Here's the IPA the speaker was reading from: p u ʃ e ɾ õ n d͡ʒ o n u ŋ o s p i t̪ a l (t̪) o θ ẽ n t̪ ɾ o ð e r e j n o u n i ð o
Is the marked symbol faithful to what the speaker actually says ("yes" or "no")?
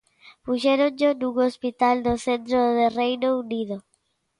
no